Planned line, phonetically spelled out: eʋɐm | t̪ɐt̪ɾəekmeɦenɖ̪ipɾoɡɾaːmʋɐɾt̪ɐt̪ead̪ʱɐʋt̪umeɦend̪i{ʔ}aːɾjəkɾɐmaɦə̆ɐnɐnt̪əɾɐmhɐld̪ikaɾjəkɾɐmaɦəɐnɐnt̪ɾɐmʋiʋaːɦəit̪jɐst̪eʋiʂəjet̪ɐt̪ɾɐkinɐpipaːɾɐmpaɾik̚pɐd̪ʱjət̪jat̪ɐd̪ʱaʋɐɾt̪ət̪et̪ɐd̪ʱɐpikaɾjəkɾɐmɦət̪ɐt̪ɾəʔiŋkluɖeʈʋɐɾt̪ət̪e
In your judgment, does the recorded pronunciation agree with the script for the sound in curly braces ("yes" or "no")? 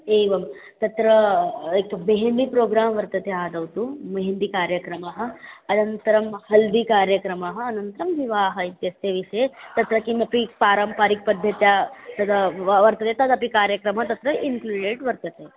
no